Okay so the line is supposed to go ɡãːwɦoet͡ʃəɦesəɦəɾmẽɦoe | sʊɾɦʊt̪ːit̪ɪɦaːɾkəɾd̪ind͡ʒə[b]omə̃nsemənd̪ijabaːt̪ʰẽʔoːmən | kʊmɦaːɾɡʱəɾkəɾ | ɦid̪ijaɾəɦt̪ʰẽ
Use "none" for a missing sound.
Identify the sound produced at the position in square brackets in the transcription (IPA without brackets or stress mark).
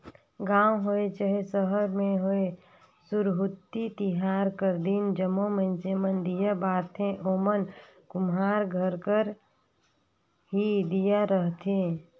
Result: m